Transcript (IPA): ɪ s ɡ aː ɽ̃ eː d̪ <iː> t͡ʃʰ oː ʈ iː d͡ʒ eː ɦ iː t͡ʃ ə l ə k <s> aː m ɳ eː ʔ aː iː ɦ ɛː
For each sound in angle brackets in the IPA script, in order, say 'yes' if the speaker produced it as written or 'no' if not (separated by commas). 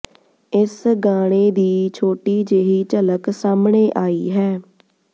yes, yes